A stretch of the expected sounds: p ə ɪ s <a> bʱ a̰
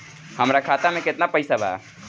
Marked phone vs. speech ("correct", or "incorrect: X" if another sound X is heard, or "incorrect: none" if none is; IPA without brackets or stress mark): correct